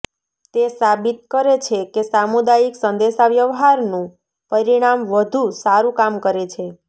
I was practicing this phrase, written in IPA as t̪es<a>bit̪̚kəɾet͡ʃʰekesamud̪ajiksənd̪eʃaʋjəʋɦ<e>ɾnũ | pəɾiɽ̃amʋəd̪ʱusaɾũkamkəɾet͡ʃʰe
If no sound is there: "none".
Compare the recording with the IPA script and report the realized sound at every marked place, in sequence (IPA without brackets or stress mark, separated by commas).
a, a